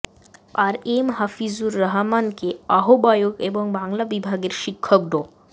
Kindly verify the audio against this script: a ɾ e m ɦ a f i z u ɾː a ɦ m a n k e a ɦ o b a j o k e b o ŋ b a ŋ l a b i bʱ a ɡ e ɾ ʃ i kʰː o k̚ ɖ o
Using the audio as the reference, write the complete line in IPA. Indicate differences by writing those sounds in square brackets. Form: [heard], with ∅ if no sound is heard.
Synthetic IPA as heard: a ɾ e m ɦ a f i z u ɾː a ɦ m a n k e a ɦ o b a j o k e b o ŋ b a ŋ l a b i bʱ a ɡ e ɾ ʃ i kʰː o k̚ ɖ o